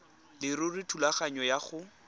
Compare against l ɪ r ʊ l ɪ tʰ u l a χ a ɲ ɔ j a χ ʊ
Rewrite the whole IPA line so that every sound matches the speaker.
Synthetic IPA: l ɪ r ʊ r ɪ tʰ u l a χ a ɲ ɔ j a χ ʊ